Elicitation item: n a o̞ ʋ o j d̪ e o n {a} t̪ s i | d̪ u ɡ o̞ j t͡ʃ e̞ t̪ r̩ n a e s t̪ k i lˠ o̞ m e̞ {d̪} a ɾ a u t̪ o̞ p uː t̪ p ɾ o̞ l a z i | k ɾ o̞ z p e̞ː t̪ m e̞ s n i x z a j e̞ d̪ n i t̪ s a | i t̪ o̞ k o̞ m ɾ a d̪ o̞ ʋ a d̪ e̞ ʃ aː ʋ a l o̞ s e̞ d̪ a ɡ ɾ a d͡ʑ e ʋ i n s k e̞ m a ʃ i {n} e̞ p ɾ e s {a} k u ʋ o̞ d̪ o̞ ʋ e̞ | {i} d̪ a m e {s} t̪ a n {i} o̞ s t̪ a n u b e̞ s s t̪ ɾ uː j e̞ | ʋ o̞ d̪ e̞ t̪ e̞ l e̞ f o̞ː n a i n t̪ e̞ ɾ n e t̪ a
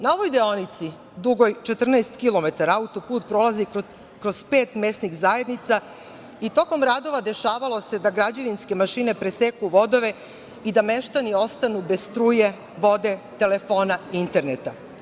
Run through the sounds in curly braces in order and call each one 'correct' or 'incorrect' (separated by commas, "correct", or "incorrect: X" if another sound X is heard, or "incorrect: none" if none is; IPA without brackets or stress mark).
incorrect: i, incorrect: t̪, correct, incorrect: e, correct, incorrect: ʃ, correct